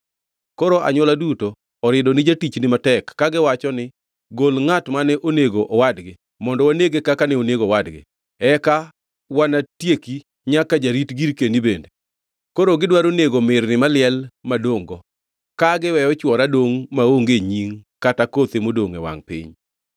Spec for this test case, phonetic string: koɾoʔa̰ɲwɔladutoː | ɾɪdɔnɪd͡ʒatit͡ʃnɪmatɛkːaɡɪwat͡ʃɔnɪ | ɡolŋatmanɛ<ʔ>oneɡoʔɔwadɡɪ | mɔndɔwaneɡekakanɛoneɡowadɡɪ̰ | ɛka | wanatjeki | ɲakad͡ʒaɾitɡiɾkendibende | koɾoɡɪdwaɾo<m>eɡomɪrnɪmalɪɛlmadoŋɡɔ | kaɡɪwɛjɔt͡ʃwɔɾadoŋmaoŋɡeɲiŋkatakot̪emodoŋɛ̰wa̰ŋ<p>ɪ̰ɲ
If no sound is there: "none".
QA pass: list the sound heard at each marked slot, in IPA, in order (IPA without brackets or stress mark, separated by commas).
ʔ, n, p